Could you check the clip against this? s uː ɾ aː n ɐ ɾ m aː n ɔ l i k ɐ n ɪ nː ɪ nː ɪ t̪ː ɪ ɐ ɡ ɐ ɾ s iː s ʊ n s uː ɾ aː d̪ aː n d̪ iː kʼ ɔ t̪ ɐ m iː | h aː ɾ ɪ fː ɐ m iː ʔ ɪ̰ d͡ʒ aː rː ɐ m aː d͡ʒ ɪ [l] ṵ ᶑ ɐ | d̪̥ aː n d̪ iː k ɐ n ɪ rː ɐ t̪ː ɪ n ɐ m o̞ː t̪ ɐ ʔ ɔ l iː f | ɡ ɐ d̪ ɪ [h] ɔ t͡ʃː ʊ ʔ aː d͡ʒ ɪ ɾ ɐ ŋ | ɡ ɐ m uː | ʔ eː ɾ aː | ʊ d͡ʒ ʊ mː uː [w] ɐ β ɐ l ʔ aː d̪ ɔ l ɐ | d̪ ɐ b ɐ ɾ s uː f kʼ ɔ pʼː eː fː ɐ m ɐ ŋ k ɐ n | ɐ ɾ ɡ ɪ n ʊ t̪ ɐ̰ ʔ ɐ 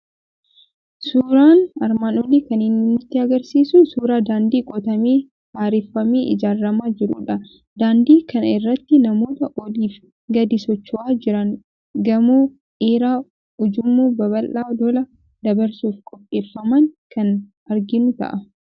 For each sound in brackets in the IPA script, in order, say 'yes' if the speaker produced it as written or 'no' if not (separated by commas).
no, no, no